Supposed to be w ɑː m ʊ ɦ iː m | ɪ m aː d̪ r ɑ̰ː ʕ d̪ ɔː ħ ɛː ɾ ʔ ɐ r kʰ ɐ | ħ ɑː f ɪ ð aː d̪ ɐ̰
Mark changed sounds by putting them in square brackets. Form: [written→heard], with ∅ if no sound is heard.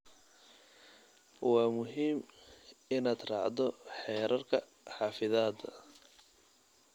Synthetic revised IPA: w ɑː m ʊ ɦ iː m | ɪ [m→n] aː d̪ r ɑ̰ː ʕ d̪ [ɔː→ɔ] ħ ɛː ɾ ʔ ɐ r kʰ ɐ | ħ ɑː f ɪ ð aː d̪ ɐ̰

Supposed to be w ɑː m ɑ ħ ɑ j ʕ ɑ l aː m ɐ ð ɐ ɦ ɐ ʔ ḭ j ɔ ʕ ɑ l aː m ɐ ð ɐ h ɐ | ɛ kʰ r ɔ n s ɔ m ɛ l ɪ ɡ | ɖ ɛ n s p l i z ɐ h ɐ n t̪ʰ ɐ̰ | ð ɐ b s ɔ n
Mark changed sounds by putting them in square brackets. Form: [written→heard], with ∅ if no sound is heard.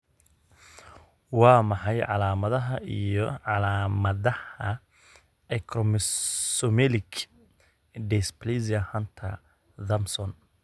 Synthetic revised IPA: w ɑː m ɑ ħ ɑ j ʕ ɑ l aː m ɐ ð ɐ ɦ ɐ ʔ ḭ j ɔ ʕ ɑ l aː m ɐ ð ɐ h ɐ | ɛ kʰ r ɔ [n→m] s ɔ m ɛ l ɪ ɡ | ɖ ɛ [n→∅] s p l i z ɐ h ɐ n t̪ʰ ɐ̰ | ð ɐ [b→m] s ɔ n

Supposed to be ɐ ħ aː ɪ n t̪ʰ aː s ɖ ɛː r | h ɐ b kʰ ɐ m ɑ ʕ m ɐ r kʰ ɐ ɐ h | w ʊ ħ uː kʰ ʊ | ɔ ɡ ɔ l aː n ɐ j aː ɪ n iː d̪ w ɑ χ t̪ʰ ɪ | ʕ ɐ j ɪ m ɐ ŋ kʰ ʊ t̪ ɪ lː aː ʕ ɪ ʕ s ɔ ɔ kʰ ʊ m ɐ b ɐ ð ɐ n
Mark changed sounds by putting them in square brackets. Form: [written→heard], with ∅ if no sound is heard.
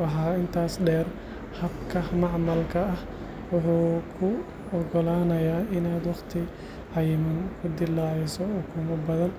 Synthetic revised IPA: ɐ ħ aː ɪ n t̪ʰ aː s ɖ ɛː r | h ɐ b kʰ ɐ m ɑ ʕ m ɐ [r→l] kʰ ɐ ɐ h | w ʊ ħ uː kʰ ʊ | ɔ ɡ ɔ l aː n ɐ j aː ɪ n [iː→aː] d̪ w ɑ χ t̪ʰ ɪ | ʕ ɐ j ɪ m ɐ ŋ kʰ ʊ [t̪→d̪] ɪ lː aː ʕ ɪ [ʕ→∅] s ɔ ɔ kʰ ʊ m ɐ b ɐ ð ɐ n

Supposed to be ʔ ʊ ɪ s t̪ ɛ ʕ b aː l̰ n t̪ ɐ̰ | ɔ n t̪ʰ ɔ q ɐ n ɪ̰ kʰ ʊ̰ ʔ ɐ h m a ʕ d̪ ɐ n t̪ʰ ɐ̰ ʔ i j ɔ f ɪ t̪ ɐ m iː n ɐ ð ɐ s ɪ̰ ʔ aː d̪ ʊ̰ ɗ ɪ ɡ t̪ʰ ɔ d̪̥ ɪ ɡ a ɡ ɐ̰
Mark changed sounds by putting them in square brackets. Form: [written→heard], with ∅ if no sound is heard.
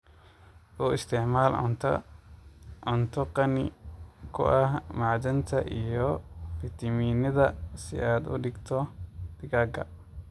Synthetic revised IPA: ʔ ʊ ɪ s t̪ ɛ ʕ [b→m] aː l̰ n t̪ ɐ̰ | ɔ n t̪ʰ ɔ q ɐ n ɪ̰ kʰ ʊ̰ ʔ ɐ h m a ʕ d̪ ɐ n t̪ʰ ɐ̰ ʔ i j ɔ f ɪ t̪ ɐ m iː n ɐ ð ɐ s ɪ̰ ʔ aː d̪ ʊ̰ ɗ ɪ ɡ t̪ʰ ɔ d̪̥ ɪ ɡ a ɡ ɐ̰

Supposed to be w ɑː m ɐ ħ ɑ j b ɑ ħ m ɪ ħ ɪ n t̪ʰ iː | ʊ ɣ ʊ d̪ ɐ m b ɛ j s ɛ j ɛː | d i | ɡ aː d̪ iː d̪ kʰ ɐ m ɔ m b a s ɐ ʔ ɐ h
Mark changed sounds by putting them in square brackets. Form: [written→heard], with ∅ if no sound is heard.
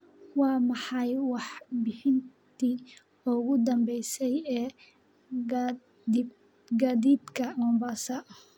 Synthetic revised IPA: w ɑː m [ɐ→ɑ] ħ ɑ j [b→w] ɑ ħ [m→b] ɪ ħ ɪ n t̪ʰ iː | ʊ ɣ ʊ d̪ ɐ m b ɛ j s ɛ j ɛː | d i | ɡ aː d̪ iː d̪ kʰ ɐ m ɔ m b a s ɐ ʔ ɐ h

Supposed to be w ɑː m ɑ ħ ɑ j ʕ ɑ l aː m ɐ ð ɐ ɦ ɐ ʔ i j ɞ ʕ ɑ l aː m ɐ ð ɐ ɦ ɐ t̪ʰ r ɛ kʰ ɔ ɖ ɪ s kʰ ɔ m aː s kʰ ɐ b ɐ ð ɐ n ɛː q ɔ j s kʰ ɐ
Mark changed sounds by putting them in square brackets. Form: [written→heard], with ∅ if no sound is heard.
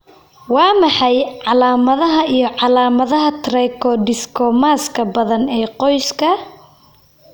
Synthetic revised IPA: w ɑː m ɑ ħ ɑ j ʕ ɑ l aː m ɐ ð ɐ ɦ ɐ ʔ i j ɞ ʕ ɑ l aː m ɐ ð ɐ ɦ ɐ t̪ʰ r ɛ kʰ ɔ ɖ ɪ s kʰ ɔ m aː s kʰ ɐ b ɐ ð ɐ n ɛː q ɔ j s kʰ ɐ

